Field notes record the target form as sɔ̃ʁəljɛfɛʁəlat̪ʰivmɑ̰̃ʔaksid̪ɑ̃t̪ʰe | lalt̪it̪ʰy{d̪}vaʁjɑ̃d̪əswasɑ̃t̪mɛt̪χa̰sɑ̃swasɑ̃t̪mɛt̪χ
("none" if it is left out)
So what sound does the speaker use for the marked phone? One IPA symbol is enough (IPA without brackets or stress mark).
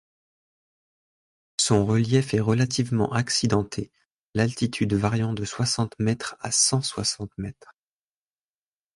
d̪